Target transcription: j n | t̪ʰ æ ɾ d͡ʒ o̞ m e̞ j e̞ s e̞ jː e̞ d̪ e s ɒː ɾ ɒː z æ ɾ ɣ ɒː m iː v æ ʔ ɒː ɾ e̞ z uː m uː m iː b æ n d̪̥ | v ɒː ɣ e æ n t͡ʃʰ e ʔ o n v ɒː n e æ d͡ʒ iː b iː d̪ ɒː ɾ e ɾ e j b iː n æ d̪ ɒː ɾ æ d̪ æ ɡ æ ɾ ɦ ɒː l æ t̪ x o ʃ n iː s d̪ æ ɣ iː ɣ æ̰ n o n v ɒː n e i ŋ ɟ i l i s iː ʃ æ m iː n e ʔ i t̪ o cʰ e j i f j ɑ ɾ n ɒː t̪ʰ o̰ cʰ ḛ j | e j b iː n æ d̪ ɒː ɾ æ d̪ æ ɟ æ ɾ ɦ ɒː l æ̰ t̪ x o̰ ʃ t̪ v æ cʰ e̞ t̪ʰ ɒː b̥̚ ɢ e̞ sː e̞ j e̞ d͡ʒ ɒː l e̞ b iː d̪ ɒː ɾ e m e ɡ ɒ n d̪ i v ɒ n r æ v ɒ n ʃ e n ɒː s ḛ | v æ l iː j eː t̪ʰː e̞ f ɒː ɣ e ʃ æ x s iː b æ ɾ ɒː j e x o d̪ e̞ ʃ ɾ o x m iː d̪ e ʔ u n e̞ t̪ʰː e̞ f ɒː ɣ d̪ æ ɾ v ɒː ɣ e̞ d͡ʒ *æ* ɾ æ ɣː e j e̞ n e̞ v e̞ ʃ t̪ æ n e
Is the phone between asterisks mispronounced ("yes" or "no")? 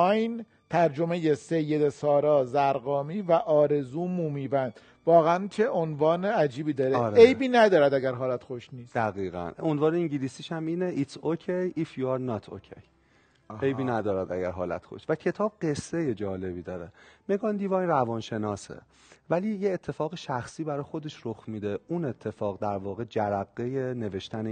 no